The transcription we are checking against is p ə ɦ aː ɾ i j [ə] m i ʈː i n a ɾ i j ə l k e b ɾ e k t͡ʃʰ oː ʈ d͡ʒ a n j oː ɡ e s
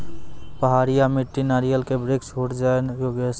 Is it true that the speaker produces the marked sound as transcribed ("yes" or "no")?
no